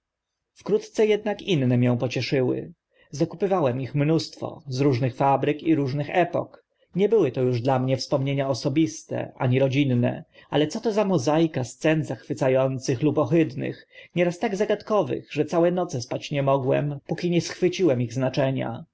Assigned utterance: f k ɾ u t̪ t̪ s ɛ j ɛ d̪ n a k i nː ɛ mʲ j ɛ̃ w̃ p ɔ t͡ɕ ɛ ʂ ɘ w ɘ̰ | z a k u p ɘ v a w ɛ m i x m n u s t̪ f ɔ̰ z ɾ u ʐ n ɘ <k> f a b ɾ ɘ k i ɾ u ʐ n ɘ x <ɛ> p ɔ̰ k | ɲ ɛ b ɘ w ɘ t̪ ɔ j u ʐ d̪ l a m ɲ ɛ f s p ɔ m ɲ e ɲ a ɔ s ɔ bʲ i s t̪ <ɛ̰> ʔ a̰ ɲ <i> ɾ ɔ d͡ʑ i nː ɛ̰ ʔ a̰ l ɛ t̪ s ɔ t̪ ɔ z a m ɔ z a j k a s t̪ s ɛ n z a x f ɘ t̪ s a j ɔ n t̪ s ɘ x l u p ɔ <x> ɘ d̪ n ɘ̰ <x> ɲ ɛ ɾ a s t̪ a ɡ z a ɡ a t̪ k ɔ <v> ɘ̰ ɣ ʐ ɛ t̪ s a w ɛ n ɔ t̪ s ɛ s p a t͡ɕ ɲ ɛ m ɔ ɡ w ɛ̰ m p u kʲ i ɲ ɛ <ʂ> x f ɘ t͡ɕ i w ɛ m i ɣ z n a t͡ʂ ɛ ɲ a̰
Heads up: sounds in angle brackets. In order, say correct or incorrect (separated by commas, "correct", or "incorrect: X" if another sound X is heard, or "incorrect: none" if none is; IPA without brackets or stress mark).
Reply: incorrect: x, correct, correct, correct, correct, correct, correct, incorrect: s